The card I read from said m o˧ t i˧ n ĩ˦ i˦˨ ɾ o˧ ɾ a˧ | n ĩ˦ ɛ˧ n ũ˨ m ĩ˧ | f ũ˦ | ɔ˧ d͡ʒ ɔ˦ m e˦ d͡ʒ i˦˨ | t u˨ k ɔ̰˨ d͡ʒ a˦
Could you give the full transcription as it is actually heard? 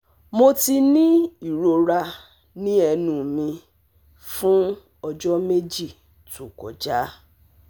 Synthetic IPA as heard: m o˧ t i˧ n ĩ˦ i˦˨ ɾ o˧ ɾ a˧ | n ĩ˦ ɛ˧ n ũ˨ m ĩ˧ | f ũ˦ | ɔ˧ d͡ʒ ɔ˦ m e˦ d͡ʒ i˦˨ | t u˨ k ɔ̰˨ d͡ʒ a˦